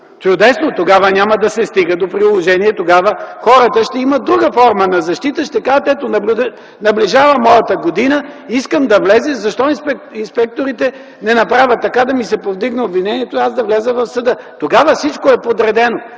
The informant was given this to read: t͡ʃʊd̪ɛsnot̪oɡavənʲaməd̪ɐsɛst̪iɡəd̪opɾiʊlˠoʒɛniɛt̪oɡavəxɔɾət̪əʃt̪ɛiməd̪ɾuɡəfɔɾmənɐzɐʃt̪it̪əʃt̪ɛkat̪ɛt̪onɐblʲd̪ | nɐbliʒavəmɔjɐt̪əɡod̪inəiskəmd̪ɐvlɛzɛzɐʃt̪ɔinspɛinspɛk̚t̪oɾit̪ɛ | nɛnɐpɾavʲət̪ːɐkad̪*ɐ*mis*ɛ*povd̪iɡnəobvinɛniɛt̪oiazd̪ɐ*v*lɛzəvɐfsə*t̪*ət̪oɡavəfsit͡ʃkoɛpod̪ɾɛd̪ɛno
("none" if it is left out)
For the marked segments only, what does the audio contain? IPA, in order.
ɐ, ɛ, v, d̪

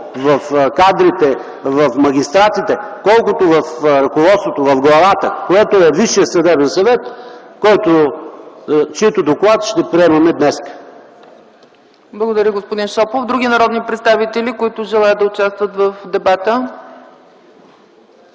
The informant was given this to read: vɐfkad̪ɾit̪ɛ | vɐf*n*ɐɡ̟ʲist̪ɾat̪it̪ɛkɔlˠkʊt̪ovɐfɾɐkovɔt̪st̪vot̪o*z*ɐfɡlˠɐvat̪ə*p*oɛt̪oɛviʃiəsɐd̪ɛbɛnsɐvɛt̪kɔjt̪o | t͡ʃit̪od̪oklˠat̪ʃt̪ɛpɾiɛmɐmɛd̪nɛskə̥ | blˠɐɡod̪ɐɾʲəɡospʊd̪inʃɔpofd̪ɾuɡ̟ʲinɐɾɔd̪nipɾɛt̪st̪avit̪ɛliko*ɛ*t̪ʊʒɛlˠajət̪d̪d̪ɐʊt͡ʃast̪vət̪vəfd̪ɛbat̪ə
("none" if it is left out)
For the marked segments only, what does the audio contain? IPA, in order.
m, v, k, i

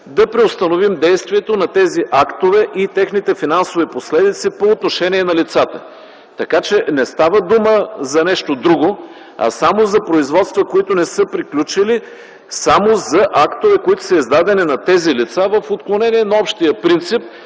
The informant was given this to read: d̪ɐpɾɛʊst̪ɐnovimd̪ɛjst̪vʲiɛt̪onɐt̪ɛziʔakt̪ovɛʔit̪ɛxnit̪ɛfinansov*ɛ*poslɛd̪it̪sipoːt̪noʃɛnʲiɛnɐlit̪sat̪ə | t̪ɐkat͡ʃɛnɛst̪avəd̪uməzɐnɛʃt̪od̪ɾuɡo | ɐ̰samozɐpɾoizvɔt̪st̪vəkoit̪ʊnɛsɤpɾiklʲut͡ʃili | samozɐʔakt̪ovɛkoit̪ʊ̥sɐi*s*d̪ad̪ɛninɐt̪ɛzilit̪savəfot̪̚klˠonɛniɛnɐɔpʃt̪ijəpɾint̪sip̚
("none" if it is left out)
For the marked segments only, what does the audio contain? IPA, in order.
i, z

